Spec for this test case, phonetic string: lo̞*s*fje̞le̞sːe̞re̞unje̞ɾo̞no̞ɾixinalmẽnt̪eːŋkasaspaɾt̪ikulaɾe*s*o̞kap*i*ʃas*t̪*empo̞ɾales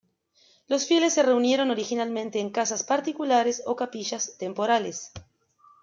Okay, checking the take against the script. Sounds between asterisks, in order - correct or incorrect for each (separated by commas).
correct, correct, correct, correct